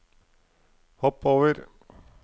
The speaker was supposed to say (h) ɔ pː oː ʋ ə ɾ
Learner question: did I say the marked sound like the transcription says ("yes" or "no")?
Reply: yes